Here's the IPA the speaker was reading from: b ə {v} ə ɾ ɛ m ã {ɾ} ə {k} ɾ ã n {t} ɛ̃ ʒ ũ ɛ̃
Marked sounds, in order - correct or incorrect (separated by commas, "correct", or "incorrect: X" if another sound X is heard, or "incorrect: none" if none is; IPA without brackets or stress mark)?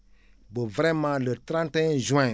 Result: correct, incorrect: l, incorrect: t, correct